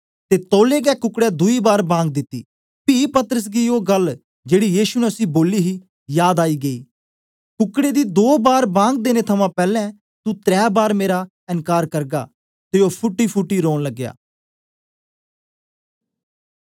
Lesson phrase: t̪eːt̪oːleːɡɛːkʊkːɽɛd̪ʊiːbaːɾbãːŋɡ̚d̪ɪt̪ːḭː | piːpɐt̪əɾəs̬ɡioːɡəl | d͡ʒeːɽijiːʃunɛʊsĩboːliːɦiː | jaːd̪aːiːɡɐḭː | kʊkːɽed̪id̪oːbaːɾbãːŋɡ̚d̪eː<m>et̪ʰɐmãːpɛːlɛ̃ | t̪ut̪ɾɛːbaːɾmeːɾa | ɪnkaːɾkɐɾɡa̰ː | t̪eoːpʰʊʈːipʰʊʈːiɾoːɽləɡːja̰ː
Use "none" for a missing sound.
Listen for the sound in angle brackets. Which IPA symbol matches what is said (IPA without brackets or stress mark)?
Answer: n